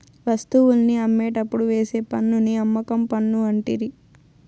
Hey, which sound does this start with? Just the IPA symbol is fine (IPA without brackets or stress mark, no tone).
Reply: ʋ